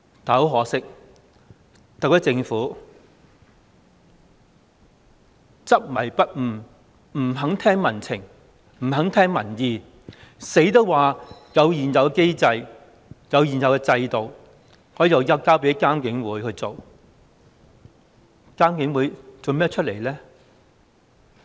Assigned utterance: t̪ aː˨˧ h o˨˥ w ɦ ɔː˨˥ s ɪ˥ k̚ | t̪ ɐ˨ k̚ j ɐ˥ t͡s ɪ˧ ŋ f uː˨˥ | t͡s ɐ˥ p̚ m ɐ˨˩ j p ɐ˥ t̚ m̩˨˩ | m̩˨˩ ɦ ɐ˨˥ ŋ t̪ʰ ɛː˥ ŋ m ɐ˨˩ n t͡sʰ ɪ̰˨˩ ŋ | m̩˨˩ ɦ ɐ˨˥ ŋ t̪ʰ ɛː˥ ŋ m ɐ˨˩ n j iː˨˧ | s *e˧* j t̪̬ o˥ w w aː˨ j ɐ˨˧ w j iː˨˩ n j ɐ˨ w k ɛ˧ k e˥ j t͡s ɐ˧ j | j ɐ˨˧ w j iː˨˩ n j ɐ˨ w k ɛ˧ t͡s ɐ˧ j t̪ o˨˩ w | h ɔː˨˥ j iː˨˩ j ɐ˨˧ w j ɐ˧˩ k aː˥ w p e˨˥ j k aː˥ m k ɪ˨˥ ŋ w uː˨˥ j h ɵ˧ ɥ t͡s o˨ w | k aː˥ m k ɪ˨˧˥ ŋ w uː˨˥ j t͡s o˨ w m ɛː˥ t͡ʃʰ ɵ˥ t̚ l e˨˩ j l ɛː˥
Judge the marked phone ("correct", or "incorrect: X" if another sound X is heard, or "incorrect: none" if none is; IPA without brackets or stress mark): incorrect: e˨˥